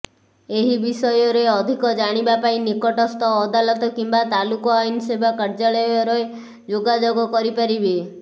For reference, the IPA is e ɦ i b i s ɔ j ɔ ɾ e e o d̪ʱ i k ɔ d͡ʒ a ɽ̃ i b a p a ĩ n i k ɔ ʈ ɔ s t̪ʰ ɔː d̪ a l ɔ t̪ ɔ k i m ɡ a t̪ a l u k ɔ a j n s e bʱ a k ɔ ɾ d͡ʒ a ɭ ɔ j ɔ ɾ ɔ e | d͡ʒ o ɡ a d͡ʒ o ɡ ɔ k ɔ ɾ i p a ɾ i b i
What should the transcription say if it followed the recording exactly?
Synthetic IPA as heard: e ɦ i b i s ɔ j ɔ ɾ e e ɔ d̪ʱ i k ɔ d͡ʒ a ɽ̃ i b a p a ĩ n i k ɔ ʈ ɔ s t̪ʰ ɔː d̪ a l ɔ t̪ ɔ k i m b a t̪ a l u k ɔ a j n s e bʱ a k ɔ ɾ d͡ʒ a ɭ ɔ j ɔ ɾ ɔ e | d͡ʒ o ɡ a d͡ʒ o ɡ ɔ k ɔ ɾ i p a ɾ i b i

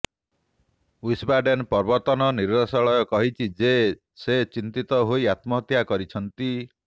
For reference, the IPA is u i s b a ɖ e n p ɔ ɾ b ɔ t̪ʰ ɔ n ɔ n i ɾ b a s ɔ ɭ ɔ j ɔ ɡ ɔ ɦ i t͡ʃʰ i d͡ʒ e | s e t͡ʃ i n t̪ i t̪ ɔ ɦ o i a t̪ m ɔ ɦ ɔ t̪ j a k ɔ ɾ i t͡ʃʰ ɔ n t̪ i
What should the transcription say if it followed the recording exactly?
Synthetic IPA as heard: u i s b a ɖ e n p ɔ ɾ b ɔ t̪ ɔ n ɔ n i ɾ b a s ɔ ɭ ɔ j ɔ k ɔ ɦ i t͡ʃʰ i d͡ʒ e | s e t͡ʃ i n t̪ i t̪ ɔ ɦ o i a t̪ m ɔ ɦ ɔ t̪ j a k ɔ ɾ i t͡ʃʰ ɔ n t̪ i

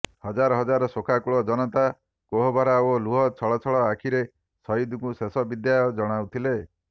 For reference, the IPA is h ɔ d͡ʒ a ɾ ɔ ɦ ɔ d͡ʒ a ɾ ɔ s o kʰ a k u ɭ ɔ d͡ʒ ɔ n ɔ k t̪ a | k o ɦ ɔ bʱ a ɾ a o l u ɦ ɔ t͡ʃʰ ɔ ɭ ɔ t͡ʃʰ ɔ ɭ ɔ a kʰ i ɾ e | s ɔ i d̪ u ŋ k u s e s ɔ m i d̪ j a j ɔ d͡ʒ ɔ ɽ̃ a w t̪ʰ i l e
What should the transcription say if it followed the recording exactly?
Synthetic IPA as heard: h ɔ d͡ʒ a ɾ ɔ ɦ ɔ d͡ʒ a ɾ ɔ s o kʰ a k u ɭ ɔ d͡ʒ ɔ n ɔ t̪ a | k o ɦ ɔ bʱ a ɾ a o l u ɦ ɔ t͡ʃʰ ɔ ɭ ɔ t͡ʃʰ ɔ ɭ ɔ a kʰ i ɾ e | s ɔ i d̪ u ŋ k u s e s ɔ b i d̪ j a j ɔ d͡ʒ ɔ ɽ̃ a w t̪ʰ i l e

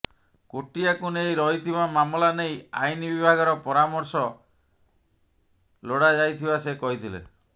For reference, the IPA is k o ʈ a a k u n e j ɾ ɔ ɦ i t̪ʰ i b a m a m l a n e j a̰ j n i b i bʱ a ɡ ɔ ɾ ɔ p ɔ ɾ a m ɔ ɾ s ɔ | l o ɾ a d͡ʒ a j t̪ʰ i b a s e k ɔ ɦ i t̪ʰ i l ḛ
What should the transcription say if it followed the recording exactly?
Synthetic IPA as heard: k o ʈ i a k u n e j ɾ ɔ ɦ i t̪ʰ i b a m a m l a n e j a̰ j n i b i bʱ a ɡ ɔ ɾ ɔ p ɔ ɾ a m ɔ ɾ s ɔ | l o ɽ a d͡ʒ a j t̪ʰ i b a s e k ɔ ɦ i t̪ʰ i l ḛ

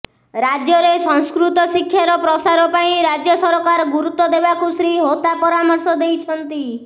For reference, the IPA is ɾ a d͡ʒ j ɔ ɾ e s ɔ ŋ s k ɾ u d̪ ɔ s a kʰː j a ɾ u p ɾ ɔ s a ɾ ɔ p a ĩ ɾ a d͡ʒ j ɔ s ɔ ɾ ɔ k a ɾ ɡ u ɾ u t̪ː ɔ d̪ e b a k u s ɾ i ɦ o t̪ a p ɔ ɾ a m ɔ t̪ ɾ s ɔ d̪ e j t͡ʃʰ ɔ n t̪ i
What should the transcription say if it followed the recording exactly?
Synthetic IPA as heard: ɾ a d͡ʒ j ɔ ɾ e s ɔ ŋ s k ɾ u t̪ ɔ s i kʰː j a ɾ ɔ p ɾ ɔ s a ɾ ɔ p a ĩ ɾ a d͡ʒ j ɔ s ɔ ɾ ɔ k a ɾ ɡ u ɾ u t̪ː ɔ d̪ e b a k u s ɾ i ɦ o t̪ a p ɔ ɾ a m ɔ ɾ s ɔ d̪ e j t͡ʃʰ ɔ n t̪ i

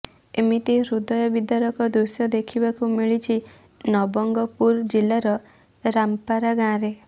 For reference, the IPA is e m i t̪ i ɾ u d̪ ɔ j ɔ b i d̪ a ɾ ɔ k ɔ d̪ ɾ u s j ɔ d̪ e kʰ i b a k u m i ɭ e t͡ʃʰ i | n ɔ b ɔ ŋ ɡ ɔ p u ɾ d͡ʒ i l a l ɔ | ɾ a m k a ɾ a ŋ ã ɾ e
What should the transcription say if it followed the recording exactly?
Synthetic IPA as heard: e m i t̪ i ɾ u d̪ ɔ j ɔ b i d̪ a ɾ ɔ k ɔ d̪ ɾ u s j ɔ d̪ e kʰ i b a k u m i ɭ i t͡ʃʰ i | n ɔ b ɔ ŋ ɡ ɔ p u ɾ d͡ʒ i l a ɾ ɔ | ɾ a m p a ɾ a ɡ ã ɾ e

